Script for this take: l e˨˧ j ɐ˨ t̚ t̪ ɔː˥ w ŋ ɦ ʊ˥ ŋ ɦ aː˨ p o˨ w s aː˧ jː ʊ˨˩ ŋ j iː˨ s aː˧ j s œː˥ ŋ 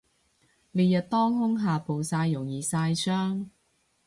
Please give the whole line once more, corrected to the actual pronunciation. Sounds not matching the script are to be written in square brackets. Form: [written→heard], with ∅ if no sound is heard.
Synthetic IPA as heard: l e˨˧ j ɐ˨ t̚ t̪ ɔː˥ [w→∅] ŋ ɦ ʊ˥ ŋ ɦ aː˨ p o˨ w s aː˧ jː ʊ˨˩ ŋ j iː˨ s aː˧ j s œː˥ ŋ